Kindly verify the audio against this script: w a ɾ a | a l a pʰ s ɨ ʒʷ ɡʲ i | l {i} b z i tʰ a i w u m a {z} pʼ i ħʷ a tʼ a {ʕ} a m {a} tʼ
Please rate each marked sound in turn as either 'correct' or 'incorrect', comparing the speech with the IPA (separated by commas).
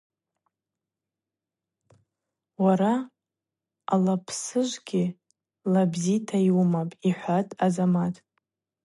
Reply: incorrect, incorrect, incorrect, correct